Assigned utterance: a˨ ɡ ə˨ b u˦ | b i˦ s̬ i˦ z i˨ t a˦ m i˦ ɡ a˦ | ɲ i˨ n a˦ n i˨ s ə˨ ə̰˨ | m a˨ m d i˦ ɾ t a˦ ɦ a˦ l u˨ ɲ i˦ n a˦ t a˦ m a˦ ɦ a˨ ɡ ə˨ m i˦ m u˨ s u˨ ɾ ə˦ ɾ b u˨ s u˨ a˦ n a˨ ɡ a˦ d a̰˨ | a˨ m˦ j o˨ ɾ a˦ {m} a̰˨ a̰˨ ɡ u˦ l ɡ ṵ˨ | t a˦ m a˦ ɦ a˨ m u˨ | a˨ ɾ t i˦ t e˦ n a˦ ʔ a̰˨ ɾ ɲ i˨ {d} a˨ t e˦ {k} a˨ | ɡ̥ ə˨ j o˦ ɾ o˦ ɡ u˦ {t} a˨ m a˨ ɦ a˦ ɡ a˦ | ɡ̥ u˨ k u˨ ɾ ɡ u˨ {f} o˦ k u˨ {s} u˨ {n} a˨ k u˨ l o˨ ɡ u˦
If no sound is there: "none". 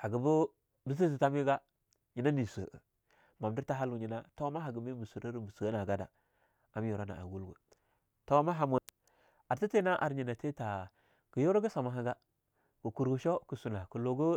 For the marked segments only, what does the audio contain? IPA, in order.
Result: n, n, t, s, ʃ, s, n

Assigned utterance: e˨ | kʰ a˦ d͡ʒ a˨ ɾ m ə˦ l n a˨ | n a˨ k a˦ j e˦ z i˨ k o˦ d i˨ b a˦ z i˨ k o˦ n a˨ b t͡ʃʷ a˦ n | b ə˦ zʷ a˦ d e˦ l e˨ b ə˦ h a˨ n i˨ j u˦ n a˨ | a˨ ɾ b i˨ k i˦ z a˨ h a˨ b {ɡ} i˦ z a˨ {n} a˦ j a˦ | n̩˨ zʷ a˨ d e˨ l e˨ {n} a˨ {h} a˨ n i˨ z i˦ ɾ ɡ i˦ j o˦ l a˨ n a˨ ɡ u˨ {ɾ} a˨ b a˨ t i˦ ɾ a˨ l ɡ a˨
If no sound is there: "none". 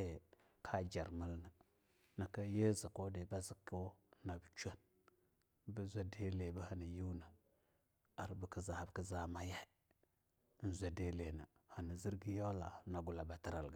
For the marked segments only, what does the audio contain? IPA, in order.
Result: k, m, n, h, l

